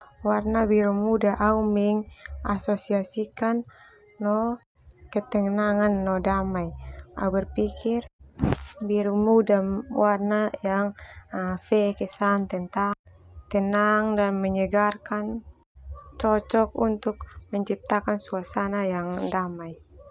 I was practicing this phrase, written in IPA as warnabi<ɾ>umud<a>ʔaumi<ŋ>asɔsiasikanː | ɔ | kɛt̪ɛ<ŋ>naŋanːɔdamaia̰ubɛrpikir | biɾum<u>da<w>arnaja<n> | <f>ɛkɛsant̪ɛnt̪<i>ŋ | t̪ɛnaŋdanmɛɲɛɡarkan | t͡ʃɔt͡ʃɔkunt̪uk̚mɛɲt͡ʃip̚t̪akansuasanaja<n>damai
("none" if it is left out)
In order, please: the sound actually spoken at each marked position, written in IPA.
ɾ, a, ŋ, ŋ, u, w, ŋ, f, a, ŋ

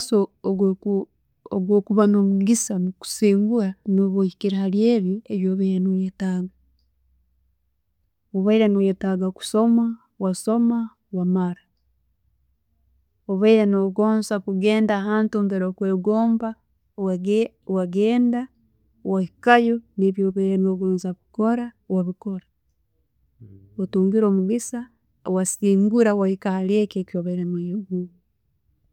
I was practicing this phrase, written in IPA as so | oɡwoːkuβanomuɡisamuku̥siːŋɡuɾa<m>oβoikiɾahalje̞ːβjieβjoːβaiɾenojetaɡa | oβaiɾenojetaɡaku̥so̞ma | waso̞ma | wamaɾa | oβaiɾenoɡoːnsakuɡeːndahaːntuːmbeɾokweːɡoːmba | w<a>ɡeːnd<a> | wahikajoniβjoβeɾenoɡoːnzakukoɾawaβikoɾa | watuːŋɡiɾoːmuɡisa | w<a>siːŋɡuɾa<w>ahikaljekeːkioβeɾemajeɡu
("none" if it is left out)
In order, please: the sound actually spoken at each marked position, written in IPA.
n, a, a, a, w

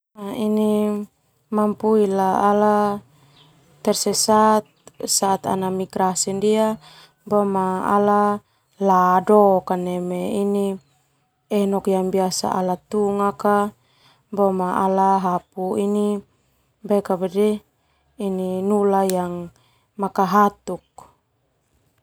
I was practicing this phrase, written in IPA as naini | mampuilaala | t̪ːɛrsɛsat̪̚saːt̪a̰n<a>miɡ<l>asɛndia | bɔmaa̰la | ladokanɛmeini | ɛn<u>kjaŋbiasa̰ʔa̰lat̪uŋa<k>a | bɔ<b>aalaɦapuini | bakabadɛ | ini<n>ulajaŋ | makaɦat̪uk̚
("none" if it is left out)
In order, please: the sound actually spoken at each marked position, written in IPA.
a, ɾ, ɔ, k, m, n

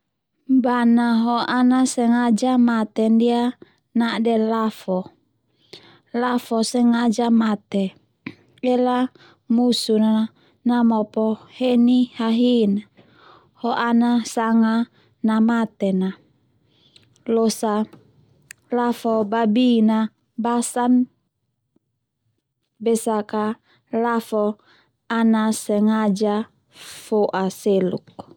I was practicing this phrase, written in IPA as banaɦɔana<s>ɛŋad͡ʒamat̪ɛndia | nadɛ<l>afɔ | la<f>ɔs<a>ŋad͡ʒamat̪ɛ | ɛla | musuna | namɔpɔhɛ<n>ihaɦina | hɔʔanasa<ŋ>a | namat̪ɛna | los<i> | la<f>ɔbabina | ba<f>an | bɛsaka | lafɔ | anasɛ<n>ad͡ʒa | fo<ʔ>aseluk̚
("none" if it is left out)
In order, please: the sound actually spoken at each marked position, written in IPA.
s, l, f, ɛ, n, ŋ, a, f, s, ŋ, ʔ

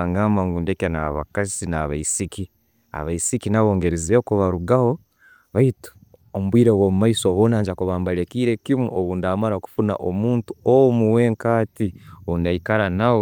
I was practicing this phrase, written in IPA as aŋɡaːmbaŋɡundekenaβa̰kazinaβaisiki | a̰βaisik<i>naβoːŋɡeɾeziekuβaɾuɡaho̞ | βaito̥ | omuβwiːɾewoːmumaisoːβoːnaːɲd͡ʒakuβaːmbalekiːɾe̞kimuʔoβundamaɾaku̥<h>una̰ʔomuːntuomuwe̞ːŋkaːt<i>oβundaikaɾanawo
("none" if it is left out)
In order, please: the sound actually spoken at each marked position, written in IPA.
i, f, i

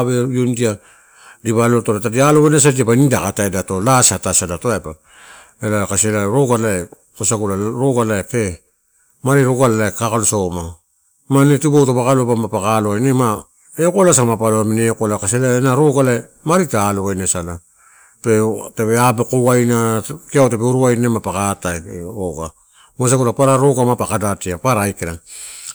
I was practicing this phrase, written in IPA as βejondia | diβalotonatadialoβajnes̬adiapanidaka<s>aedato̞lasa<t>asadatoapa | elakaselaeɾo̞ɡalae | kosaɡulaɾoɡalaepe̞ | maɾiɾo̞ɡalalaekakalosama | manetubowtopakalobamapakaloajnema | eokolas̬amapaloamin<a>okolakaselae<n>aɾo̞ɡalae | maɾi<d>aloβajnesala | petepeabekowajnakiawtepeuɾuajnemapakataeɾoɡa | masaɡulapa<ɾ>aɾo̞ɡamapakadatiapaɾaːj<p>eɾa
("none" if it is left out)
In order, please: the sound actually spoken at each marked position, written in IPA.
t, t, e, n, t, ɾ, k

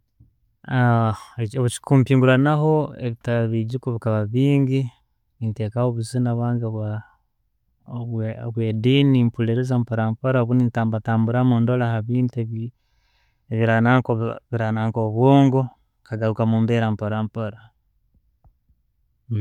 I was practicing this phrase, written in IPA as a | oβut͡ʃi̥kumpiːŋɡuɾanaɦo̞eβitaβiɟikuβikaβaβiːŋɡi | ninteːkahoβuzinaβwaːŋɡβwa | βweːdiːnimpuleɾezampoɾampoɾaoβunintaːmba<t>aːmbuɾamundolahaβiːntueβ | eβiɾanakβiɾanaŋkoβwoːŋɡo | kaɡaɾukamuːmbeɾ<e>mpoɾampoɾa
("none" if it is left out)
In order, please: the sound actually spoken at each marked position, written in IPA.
t, a

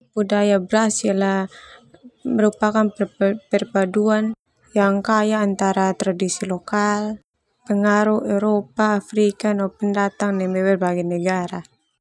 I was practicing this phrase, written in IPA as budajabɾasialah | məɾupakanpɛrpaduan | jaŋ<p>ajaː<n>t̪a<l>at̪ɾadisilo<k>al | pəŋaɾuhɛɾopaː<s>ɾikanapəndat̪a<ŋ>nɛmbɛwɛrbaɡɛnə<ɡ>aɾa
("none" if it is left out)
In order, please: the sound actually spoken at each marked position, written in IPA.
k, n, ɾ, k, f, ŋ, ɡ

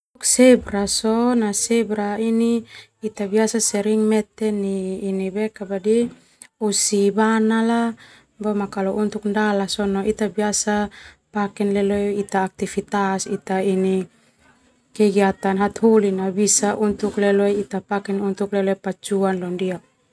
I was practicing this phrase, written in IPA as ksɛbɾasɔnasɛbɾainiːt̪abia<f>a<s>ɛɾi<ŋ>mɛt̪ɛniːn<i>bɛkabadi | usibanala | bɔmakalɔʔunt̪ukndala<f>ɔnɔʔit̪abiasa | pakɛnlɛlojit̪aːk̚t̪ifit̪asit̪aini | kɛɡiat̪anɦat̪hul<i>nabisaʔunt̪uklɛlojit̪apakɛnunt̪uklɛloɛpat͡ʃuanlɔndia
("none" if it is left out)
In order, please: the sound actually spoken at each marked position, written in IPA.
s, s, ŋ, i, s, i

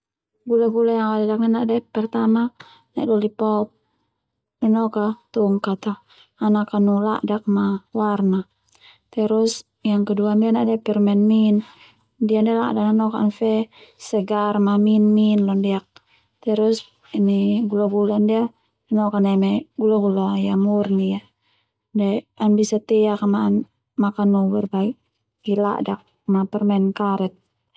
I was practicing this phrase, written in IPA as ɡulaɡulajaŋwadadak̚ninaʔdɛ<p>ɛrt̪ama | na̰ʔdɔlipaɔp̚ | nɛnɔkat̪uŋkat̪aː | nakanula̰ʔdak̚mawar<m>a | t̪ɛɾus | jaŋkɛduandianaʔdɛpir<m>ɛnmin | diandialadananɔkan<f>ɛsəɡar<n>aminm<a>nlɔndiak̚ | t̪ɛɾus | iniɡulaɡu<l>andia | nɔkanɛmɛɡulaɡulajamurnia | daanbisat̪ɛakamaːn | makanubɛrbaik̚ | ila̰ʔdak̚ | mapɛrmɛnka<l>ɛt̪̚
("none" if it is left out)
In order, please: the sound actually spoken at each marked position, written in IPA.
p, n, m, f, m, i, l, ɾ

